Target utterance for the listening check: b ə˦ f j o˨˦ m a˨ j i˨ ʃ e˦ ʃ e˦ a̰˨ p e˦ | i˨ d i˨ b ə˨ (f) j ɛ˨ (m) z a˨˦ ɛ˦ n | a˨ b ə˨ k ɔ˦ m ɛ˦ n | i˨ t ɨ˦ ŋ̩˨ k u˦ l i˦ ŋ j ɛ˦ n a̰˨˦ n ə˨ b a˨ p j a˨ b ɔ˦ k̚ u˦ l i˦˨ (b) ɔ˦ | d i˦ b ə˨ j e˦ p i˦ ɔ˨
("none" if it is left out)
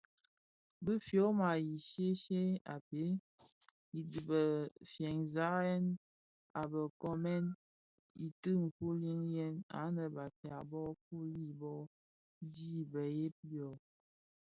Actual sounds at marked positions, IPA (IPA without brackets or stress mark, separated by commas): f, ŋ, b